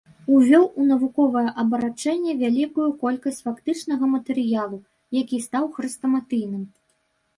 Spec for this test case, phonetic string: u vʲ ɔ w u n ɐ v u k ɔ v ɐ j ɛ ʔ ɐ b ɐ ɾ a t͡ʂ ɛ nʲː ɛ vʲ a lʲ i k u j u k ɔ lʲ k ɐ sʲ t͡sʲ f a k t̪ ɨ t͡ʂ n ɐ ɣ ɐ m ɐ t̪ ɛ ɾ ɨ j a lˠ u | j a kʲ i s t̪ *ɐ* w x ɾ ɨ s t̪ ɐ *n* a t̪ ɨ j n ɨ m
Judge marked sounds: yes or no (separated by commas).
no, no